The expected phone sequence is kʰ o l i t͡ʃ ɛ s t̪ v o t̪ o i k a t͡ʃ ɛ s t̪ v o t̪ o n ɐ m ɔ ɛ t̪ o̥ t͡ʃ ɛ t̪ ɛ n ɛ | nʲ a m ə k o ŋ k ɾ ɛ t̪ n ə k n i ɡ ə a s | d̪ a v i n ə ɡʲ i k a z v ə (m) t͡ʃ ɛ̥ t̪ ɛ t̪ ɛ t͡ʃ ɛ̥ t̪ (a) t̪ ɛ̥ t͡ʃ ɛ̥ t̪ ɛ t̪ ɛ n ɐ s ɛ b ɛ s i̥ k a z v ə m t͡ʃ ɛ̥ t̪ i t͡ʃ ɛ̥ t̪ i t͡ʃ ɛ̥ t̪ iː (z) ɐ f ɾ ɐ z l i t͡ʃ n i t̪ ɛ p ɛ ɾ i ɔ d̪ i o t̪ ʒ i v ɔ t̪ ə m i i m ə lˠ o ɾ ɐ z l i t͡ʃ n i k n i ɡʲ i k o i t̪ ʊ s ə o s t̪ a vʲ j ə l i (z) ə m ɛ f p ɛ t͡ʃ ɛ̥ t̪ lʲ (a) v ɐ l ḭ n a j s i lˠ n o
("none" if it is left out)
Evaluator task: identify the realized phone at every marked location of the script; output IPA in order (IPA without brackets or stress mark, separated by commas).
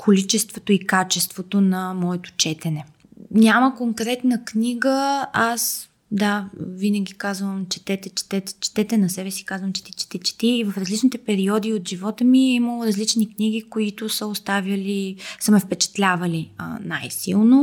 m, ɛ, v, s, a